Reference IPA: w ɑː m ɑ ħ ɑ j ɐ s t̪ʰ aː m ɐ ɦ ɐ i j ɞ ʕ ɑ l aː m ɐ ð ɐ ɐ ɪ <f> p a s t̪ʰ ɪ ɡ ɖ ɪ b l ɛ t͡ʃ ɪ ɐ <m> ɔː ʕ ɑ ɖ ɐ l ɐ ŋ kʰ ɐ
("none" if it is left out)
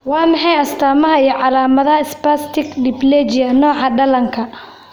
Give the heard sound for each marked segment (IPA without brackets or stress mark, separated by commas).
s, n